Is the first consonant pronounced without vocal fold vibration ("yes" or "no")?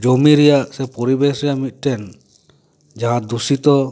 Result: no